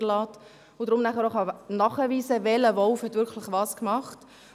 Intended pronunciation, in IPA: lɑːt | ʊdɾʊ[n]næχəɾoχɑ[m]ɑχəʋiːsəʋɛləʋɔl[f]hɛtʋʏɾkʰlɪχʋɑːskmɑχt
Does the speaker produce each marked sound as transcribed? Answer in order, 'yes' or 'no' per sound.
no, no, yes

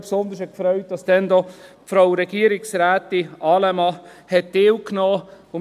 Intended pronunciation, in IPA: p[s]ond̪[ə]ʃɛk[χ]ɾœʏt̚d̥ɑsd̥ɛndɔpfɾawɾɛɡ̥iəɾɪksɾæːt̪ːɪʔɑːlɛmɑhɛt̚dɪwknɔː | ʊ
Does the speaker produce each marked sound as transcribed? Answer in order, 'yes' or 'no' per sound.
yes, yes, no

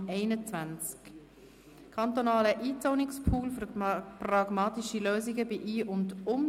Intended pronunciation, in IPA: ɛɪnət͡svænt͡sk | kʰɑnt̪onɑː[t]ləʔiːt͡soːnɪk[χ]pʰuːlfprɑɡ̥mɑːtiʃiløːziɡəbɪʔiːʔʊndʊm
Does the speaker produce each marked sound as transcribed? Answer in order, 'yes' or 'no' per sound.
no, no

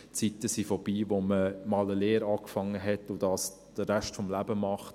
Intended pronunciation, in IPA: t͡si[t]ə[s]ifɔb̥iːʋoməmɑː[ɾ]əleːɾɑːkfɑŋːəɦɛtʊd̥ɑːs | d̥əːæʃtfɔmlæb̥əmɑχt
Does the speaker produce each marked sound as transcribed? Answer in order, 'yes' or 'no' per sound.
yes, yes, no

